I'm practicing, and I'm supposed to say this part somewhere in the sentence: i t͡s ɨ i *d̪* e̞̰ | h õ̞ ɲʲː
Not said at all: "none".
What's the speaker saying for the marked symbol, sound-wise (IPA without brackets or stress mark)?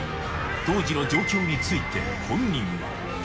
t̪